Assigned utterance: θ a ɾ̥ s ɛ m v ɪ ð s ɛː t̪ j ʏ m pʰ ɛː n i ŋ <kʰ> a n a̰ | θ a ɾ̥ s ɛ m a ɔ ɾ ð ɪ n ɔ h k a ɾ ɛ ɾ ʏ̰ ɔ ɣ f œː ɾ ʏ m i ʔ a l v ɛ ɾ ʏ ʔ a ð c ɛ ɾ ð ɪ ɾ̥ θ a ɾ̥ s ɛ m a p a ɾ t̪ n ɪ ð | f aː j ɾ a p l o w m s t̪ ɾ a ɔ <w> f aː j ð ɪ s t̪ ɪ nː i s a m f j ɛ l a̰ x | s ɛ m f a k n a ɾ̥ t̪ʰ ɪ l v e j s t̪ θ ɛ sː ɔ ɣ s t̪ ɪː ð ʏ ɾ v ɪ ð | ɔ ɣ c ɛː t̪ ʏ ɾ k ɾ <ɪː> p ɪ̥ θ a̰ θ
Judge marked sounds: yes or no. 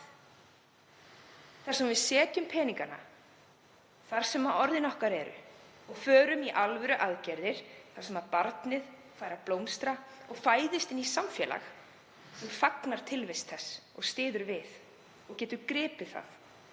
no, no, yes

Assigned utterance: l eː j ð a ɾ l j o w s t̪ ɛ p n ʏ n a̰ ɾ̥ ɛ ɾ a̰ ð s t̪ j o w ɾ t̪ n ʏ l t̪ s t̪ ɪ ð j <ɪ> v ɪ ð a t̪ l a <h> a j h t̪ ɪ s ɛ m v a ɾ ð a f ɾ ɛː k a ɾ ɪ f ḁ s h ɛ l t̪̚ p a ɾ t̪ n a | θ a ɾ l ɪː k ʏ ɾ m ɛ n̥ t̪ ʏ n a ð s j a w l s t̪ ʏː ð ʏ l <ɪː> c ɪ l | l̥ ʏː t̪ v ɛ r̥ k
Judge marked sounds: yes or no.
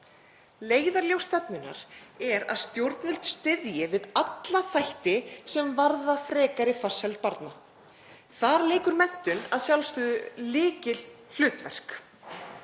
yes, no, yes

